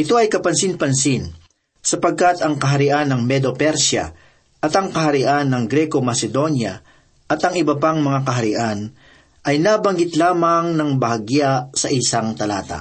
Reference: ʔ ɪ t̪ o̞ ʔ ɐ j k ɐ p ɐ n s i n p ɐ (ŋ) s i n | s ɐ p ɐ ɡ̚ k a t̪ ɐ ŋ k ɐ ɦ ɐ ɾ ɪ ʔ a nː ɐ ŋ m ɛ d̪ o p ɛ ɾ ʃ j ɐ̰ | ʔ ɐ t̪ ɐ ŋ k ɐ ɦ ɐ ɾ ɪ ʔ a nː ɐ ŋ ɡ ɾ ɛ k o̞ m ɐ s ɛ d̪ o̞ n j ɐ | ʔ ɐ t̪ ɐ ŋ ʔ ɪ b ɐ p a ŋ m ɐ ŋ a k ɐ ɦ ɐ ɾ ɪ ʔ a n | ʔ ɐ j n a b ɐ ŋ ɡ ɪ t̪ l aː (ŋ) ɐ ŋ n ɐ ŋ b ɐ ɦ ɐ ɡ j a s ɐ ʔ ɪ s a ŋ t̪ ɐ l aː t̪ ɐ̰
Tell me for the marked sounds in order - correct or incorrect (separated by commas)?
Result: incorrect, incorrect